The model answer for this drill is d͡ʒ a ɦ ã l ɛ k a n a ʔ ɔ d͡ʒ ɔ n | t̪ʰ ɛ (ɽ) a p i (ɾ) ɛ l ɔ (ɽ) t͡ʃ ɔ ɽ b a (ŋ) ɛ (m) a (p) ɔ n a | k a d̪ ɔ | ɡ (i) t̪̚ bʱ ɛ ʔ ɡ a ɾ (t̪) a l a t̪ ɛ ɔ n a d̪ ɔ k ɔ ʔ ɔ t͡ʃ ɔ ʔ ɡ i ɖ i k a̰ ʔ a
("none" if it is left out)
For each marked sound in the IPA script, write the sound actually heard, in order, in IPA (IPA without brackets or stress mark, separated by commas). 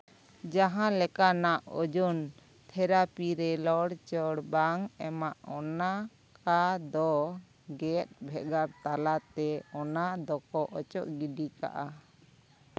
ɾ, ɾ, ɽ, ŋ, m, ʔ, ɛ, t̪